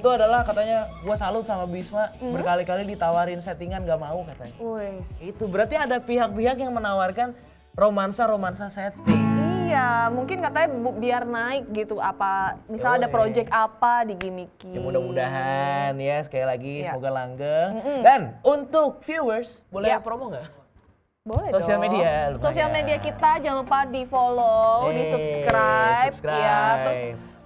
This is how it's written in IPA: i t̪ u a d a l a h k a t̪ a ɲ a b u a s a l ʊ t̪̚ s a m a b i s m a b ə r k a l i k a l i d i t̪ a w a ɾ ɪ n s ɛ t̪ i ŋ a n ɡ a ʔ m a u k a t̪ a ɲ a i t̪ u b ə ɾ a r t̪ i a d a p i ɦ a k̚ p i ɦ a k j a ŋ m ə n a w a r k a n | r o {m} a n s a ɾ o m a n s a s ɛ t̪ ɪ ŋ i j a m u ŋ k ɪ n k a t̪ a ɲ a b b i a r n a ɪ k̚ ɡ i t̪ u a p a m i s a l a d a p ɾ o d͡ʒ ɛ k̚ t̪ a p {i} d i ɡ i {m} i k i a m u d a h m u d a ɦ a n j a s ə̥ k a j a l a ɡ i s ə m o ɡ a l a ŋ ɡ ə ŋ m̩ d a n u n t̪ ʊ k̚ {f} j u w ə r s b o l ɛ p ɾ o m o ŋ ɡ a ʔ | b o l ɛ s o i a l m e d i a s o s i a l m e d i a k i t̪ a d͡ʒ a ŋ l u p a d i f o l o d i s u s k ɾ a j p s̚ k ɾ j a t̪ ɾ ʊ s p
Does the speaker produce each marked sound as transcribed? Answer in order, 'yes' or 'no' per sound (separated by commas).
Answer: yes, no, yes, yes